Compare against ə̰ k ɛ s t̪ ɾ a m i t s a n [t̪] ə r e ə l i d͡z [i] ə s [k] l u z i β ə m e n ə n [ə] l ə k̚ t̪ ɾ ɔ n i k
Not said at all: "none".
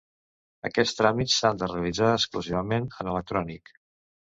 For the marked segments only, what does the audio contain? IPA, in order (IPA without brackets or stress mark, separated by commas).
d̪, a, k, ə